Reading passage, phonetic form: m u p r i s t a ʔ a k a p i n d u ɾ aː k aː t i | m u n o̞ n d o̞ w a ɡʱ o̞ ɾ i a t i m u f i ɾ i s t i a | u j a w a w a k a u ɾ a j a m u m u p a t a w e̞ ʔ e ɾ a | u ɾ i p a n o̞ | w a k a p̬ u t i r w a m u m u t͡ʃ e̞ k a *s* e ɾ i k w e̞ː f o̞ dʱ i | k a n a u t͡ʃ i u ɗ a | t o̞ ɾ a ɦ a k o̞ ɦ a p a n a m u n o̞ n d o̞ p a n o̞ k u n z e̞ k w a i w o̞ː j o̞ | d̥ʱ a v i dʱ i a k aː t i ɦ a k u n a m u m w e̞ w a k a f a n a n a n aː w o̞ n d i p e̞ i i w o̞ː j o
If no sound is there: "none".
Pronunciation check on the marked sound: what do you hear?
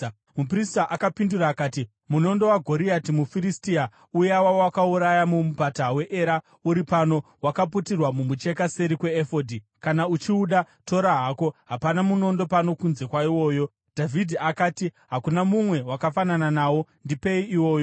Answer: s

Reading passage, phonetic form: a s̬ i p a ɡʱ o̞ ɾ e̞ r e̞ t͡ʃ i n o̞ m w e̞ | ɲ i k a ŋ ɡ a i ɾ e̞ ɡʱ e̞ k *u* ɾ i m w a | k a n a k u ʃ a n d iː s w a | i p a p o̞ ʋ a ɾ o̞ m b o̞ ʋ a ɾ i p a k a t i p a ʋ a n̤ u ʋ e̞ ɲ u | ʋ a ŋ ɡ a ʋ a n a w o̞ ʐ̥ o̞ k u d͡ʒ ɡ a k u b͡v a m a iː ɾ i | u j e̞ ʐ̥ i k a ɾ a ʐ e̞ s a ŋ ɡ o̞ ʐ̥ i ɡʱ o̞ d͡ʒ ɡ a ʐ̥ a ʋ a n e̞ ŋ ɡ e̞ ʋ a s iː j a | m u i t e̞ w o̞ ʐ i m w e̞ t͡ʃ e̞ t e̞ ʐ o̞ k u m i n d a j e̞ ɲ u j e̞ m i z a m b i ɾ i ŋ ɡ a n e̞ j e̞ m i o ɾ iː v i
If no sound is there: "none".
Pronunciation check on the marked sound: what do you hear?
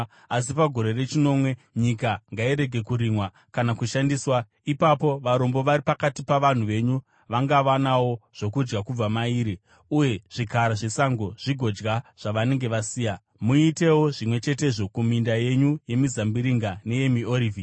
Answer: u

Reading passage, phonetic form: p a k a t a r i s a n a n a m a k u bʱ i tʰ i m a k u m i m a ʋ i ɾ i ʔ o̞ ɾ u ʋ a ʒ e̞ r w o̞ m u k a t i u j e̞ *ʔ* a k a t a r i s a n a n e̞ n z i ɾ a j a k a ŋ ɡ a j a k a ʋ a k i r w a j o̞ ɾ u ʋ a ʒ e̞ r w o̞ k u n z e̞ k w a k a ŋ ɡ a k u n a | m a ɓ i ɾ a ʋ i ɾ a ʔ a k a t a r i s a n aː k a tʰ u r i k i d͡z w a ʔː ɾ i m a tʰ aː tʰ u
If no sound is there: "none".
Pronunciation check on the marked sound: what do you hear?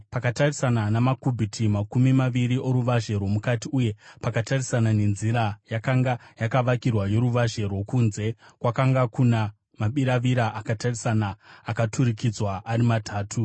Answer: p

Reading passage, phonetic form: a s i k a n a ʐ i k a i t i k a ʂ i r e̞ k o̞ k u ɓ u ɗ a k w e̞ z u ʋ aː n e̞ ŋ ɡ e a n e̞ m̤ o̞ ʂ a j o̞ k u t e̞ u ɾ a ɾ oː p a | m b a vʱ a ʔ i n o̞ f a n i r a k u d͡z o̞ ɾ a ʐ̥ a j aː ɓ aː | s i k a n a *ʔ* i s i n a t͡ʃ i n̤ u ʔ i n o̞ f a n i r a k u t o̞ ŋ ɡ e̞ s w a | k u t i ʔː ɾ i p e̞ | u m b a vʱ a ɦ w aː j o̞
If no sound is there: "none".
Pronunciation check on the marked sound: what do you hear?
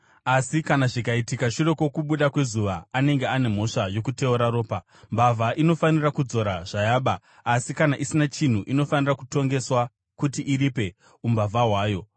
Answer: ʔ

